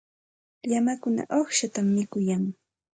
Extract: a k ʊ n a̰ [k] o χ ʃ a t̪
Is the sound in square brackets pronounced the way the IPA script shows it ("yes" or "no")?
no